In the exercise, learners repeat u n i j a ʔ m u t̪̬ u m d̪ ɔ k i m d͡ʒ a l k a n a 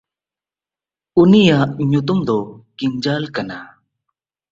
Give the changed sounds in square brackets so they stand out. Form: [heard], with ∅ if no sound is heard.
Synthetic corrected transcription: u n i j a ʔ [ɲ] u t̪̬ u m d̪ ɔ k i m d͡ʒ a l k a n a